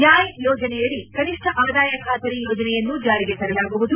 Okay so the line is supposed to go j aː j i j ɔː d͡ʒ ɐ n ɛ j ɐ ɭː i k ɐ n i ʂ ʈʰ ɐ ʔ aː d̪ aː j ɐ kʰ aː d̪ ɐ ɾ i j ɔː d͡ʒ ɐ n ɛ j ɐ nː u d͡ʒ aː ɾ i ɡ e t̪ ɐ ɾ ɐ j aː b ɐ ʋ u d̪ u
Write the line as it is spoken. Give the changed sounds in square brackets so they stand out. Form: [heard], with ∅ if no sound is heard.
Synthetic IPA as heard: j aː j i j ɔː d͡ʒ ɐ n ɛ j ɐ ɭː i k ɐ n i ʂ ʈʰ ɐ ʔ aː d̪ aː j ɐ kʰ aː [t̪] ɐ ɾ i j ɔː d͡ʒ ɐ n ɛ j ɐ nː u d͡ʒ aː ɾ i ɡ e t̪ ɐ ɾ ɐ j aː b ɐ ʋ u d̪ u